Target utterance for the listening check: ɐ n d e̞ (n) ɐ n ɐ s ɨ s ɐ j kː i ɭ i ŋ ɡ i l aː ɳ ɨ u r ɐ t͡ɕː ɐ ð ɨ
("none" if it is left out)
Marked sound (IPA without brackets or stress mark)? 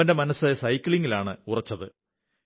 m